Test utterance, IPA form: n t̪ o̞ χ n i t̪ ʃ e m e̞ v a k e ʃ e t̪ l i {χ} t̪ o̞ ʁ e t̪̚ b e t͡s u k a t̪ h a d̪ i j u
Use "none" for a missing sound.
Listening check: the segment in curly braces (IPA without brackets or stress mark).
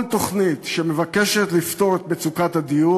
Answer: f